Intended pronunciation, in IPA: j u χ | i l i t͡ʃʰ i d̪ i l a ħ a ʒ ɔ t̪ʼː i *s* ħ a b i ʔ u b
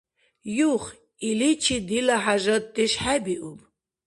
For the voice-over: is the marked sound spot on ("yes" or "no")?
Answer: no